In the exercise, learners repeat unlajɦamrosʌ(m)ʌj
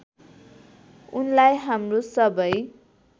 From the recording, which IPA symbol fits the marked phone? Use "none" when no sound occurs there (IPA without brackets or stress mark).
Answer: b